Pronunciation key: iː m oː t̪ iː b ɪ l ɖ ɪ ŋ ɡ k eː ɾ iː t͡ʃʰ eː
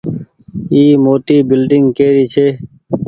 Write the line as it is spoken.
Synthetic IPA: iː m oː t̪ iː b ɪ l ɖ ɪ ŋ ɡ k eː ɾ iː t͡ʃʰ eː